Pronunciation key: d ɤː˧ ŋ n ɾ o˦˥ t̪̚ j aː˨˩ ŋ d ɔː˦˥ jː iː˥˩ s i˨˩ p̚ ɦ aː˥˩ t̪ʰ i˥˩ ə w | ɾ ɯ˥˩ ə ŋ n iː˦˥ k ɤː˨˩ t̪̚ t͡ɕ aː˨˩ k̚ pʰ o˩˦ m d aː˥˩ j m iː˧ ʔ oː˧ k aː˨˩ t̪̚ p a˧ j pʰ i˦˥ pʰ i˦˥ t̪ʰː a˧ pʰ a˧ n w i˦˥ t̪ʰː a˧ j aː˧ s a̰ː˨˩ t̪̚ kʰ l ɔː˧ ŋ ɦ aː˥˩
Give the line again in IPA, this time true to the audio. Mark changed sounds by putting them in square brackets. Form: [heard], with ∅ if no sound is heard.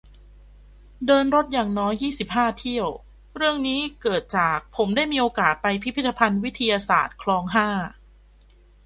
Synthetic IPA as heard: d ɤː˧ [∅] n ɾ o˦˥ t̪̚ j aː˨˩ ŋ [n] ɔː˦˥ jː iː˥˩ s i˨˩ p̚ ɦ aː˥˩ t̪ʰ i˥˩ ə w | ɾ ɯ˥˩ ə ŋ n iː˦˥ k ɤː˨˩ t̪̚ t͡ɕ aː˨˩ k̚ pʰ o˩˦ m d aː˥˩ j m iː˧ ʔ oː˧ k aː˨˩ t̪̚ p a˧ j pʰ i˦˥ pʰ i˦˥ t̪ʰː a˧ pʰ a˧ n w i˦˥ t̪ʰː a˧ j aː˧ s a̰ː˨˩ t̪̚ kʰ l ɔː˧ ŋ ɦ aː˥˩